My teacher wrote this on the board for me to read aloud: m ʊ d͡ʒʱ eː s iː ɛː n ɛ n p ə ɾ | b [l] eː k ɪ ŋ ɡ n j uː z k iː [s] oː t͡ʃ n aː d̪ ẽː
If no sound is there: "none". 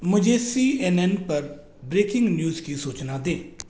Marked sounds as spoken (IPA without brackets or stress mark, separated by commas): ɾ, s